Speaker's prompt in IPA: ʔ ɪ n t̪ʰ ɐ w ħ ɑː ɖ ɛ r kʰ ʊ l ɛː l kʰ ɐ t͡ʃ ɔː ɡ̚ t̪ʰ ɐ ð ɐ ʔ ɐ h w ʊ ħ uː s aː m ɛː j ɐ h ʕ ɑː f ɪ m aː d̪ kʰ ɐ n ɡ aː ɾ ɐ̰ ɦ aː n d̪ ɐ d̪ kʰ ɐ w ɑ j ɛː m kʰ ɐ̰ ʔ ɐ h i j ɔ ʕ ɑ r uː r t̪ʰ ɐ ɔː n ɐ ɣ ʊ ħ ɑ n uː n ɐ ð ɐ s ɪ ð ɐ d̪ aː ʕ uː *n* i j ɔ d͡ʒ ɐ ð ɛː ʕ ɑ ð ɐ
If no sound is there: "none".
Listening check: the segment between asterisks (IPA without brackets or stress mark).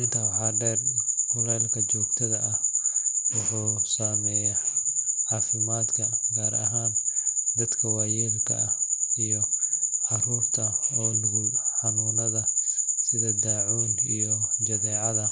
n